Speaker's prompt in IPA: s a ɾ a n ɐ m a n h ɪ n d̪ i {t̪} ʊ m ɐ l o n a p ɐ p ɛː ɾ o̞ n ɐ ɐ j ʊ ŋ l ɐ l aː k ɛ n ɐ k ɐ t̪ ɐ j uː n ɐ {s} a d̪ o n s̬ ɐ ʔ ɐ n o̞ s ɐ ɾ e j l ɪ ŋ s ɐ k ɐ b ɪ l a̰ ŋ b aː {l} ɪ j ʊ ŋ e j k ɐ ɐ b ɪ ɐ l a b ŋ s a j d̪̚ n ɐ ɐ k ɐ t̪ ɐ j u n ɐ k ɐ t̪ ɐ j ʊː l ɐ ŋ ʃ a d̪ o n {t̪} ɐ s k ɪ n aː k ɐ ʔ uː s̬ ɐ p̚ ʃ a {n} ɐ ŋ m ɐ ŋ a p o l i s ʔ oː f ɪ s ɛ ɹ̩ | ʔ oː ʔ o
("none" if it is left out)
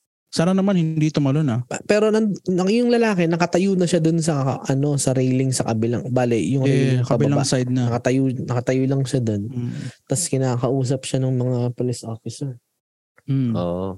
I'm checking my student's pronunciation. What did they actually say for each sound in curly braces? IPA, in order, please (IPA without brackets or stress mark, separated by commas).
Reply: t̪, ʃ, l, t̪, n